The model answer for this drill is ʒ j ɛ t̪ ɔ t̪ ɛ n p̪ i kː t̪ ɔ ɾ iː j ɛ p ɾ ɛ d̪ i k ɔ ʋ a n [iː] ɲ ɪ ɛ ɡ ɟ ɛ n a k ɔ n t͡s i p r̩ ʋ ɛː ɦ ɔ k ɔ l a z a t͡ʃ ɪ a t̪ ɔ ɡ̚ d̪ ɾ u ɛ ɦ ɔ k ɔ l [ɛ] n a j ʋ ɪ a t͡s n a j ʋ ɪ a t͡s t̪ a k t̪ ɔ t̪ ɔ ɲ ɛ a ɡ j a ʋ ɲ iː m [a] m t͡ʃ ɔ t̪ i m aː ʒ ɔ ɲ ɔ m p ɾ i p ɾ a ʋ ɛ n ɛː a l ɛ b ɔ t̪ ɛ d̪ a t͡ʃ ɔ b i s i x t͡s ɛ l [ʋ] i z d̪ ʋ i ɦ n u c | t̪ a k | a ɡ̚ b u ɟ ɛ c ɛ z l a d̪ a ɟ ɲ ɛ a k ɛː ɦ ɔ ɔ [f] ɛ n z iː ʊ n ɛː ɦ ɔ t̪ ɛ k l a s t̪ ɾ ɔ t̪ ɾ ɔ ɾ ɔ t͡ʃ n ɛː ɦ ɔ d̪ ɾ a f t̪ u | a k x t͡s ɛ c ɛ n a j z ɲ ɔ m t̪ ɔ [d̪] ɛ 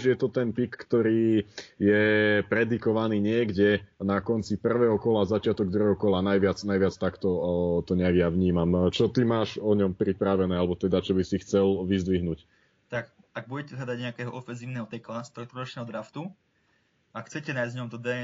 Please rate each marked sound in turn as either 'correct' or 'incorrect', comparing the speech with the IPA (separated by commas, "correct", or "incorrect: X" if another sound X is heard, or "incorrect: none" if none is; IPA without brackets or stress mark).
correct, incorrect: a, correct, correct, correct, correct